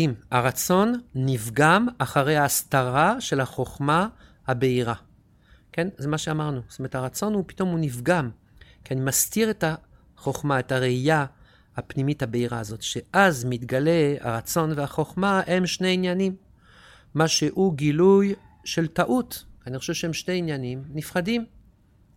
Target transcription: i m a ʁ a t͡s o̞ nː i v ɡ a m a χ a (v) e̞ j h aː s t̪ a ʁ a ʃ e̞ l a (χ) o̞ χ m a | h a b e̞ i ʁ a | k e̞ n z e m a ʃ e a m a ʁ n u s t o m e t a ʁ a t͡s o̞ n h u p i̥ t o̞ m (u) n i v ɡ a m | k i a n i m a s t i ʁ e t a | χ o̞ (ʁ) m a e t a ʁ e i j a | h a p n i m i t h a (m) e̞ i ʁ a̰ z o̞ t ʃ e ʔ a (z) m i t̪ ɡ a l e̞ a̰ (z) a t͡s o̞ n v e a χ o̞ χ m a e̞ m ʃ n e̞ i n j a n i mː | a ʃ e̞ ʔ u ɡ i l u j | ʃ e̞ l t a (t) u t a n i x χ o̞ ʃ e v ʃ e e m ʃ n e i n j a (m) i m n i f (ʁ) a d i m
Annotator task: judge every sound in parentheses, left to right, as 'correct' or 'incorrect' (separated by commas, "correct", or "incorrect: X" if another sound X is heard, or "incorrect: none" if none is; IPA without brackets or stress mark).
incorrect: ʁ, correct, correct, incorrect: χ, incorrect: b, correct, incorrect: ʁ, incorrect: ʔ, incorrect: n, incorrect: χ